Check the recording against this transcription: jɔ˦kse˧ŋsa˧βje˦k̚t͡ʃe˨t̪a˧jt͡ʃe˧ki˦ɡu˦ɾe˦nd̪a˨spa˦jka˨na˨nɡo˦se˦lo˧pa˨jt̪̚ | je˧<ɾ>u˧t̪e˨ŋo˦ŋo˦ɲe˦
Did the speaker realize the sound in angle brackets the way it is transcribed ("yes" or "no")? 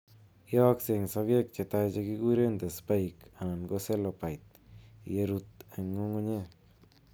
yes